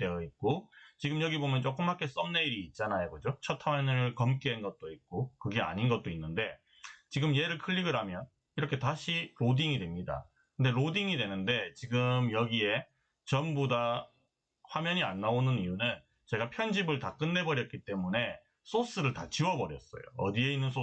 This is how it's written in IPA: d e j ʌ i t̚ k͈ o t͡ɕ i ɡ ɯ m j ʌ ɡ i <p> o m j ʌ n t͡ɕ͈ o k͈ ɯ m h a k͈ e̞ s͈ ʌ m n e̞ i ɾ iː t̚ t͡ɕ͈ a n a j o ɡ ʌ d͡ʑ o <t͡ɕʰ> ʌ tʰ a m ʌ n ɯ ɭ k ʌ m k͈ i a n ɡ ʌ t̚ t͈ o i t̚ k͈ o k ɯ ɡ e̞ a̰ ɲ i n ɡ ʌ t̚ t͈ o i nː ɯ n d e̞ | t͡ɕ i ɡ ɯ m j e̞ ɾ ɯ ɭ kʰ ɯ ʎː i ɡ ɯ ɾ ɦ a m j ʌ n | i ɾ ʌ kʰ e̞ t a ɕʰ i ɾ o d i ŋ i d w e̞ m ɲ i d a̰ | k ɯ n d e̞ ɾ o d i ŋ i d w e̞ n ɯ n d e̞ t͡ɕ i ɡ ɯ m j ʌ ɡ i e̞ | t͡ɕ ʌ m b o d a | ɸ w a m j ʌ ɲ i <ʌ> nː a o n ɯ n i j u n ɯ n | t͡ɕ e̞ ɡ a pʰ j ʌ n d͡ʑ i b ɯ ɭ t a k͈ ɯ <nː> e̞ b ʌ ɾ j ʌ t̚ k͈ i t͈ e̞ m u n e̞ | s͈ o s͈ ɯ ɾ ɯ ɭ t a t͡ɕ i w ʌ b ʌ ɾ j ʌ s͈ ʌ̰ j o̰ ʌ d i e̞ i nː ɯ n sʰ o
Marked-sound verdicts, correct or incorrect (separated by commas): incorrect, correct, incorrect, correct